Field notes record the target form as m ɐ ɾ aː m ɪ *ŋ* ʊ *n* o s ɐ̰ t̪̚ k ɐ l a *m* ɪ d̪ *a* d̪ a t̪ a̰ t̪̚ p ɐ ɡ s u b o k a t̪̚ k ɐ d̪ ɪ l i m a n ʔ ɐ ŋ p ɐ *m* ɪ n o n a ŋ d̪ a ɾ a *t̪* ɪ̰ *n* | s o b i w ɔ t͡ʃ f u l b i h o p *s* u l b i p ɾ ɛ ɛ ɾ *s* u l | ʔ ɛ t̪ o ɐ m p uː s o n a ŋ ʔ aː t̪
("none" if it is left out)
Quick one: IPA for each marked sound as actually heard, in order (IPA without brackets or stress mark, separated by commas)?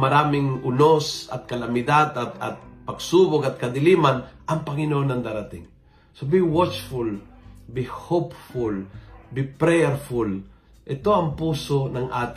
ŋ, n, m, a, ŋ, t̪, ŋ, f, f